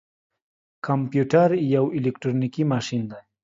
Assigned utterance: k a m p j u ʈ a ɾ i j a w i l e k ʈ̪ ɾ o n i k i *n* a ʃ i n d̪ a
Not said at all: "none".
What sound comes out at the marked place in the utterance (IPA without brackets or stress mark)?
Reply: m